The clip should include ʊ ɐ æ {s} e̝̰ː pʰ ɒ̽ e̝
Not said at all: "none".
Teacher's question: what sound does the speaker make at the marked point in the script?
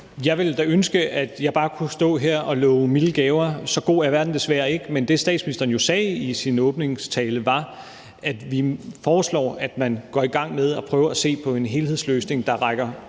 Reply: s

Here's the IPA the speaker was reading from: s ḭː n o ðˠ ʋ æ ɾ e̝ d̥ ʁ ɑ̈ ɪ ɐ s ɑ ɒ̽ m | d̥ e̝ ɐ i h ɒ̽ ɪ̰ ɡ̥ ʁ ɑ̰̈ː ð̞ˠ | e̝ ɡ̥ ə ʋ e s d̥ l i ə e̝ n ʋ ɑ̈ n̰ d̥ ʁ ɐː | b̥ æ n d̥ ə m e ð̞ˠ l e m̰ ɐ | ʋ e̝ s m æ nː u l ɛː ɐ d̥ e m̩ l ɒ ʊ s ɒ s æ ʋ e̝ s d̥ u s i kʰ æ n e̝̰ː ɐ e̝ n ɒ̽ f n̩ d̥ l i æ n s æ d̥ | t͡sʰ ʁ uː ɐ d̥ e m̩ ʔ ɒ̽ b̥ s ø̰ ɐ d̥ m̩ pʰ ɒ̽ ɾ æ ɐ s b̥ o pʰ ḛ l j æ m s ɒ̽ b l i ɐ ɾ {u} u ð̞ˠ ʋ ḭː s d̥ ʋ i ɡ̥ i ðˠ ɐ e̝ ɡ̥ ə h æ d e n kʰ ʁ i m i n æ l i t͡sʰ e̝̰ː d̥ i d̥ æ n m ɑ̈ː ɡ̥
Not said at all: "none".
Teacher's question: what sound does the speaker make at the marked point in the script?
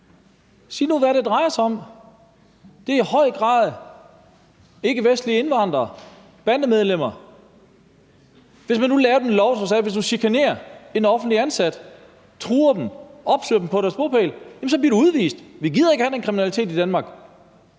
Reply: u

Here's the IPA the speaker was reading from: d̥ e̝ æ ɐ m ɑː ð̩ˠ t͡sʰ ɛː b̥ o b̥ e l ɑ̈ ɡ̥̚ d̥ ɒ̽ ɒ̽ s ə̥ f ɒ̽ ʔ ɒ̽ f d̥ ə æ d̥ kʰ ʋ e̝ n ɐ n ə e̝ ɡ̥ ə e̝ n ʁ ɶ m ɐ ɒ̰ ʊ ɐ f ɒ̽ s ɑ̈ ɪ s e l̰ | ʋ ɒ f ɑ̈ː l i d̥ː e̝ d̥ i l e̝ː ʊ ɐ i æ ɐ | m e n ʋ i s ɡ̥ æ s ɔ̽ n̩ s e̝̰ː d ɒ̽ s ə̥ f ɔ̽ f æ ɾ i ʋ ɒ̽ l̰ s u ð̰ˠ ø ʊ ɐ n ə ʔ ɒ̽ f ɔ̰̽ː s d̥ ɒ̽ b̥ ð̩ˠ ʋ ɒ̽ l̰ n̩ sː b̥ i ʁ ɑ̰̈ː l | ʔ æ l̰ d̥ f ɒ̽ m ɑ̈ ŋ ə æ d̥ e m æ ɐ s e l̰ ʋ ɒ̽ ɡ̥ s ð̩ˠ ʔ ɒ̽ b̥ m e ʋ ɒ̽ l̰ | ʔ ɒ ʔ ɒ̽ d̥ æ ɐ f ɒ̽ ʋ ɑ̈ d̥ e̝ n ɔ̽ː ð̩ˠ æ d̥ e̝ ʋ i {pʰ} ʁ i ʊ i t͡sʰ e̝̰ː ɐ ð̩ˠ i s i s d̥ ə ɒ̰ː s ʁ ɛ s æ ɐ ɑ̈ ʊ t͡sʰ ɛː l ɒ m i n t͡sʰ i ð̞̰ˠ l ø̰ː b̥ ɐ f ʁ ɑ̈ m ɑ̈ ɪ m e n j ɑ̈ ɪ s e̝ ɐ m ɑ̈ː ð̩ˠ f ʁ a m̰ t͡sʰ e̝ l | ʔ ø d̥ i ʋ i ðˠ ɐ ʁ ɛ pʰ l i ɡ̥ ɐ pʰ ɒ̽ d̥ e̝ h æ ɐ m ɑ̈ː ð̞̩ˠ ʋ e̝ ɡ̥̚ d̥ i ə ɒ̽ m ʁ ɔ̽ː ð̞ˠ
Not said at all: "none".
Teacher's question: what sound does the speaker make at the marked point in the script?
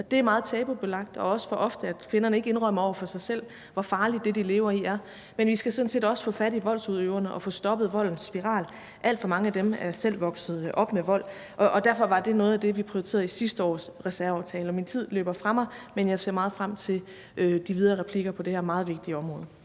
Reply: pʰ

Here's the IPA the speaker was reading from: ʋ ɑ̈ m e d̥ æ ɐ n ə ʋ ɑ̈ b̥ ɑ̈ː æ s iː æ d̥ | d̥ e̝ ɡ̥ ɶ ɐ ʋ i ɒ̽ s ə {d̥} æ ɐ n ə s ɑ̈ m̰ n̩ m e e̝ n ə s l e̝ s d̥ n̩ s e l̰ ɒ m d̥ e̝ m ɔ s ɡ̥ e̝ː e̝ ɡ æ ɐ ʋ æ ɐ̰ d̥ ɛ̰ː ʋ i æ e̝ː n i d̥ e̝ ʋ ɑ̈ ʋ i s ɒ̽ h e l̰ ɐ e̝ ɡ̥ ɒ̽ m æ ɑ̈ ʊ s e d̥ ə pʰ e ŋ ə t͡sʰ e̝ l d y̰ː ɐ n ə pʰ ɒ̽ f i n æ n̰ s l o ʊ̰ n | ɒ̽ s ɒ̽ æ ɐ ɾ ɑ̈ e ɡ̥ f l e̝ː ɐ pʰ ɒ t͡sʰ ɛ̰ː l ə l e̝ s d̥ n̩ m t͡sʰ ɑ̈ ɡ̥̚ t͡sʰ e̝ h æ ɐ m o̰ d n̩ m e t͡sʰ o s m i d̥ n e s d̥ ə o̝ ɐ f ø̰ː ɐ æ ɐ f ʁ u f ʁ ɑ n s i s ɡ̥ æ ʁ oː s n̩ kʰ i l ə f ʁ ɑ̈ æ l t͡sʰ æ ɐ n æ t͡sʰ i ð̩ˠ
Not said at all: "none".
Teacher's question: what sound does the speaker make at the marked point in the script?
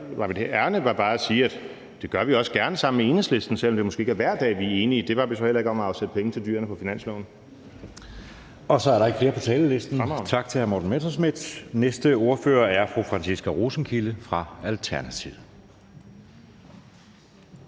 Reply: ɡ̥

